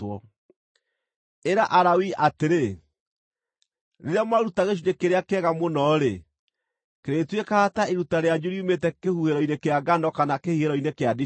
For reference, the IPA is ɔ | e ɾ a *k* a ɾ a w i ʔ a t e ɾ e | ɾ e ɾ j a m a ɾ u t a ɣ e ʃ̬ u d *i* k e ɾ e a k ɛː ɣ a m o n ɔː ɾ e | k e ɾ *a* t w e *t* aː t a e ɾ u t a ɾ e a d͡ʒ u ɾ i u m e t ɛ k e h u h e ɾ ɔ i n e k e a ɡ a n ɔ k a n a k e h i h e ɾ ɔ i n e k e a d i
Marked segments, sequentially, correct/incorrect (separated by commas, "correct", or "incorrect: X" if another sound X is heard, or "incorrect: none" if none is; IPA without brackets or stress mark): incorrect: ʔ, incorrect: e, incorrect: e, incorrect: k